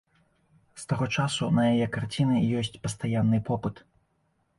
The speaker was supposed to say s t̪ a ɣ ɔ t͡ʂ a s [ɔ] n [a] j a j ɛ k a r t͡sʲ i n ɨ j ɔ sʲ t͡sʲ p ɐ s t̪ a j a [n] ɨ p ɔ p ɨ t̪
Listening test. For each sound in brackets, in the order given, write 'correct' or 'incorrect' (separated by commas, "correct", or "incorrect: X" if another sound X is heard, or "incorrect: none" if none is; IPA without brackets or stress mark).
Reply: incorrect: u, incorrect: ɐ, incorrect: nː